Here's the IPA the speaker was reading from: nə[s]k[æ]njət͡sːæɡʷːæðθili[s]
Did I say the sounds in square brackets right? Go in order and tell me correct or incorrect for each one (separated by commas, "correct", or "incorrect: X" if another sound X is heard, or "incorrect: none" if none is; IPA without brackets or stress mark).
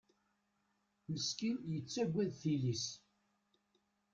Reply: correct, incorrect: i, correct